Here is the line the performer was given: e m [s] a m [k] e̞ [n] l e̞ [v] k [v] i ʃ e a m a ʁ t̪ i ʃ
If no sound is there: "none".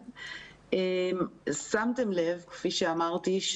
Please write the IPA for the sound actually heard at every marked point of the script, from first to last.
s, t, m, v, f

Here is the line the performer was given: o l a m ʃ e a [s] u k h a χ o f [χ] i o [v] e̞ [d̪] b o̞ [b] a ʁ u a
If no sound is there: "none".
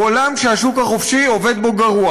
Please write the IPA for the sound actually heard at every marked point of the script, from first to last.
ʃ, ʃ, v, d̪, ɡ

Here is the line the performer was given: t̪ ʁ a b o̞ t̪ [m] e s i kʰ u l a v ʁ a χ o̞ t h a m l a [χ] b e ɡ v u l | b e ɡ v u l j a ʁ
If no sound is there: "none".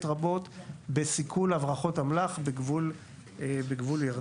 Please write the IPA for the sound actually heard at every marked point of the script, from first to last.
b, χ

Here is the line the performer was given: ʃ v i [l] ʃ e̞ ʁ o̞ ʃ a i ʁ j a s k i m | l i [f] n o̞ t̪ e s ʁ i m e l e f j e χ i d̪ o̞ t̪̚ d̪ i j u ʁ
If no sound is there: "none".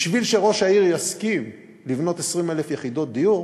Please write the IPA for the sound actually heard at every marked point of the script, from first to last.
l, v

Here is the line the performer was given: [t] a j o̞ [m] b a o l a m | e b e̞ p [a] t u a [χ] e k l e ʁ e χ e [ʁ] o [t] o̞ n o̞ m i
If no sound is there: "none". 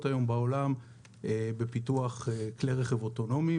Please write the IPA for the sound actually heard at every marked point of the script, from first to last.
t, m, i, χ, v, t

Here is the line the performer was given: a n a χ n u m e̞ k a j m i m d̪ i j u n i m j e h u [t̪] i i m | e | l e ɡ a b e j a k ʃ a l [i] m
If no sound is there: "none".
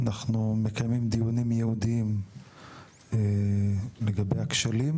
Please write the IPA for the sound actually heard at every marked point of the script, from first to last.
d̪, i

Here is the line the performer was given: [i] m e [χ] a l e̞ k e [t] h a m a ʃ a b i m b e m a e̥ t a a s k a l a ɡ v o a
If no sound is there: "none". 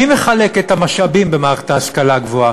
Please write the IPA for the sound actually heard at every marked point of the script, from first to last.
i, χ, t

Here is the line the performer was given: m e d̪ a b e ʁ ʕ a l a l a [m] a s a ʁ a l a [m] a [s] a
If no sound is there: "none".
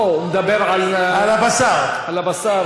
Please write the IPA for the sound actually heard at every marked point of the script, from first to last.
b, b, s

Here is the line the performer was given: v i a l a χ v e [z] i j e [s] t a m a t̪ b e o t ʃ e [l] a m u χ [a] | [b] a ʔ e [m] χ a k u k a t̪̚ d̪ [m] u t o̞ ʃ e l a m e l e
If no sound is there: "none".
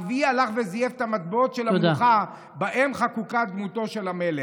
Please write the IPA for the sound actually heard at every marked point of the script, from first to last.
z, f, l, a, b, m, m

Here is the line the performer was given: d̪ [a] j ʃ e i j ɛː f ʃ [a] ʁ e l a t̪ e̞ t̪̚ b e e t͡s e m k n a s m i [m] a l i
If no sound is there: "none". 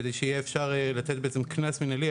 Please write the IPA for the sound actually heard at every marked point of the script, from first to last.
e, a, n

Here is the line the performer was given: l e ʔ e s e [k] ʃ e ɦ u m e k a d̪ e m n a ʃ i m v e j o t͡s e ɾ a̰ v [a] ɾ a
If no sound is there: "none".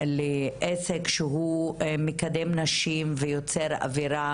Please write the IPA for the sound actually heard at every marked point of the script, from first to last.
k, i

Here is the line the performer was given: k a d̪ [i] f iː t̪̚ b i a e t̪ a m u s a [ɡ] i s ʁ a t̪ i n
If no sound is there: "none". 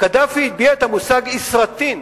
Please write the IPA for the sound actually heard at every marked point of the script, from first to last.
a, ɡ

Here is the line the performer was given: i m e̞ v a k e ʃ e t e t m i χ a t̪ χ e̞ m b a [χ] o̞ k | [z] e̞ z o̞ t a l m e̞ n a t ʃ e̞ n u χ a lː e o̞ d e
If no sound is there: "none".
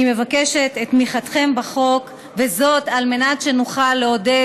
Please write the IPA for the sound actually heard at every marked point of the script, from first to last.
χ, v

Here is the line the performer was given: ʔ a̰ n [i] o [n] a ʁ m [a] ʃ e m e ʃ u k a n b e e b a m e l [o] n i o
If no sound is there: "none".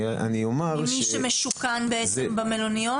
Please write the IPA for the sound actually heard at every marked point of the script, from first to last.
i, m, i, o

